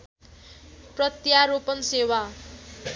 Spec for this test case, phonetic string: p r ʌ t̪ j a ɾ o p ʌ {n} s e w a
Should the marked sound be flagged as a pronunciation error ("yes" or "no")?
no